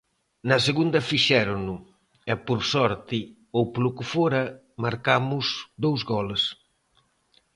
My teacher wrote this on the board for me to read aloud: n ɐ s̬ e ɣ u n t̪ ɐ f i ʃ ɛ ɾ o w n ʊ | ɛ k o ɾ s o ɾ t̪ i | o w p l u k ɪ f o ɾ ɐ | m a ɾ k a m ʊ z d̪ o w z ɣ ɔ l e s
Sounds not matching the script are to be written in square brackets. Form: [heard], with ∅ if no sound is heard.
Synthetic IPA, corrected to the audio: n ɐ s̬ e ɣ u n [d̪] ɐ f i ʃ ɛ ɾ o [∅] n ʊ | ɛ [p] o ɾ s [ɔ] ɾ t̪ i | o w p l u k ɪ f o ɾ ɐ | m a ɾ k a m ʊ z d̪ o w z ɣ ɔ l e s